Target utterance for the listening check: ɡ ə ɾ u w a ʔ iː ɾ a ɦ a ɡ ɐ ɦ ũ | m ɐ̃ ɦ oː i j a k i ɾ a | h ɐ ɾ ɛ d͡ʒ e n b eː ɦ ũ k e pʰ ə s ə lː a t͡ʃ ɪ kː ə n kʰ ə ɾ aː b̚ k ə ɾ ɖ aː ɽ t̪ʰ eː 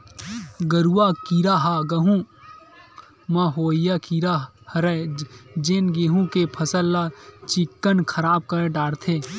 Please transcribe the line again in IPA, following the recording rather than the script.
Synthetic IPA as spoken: ɡ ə ɾ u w a k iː ɾ a ɦ a ɡ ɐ ɦ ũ | m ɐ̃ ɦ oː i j a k i ɾ a | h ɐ ɾ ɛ d͡ʒ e n ɡ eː ɦ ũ k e pʰ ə s ə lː a t͡ʃ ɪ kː ə n kʰ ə ɾ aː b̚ k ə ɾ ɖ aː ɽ t̪ʰ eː